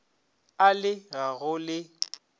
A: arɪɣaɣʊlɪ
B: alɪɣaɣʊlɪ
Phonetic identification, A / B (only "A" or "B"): B